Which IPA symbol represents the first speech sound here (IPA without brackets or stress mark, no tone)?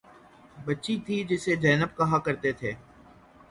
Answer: b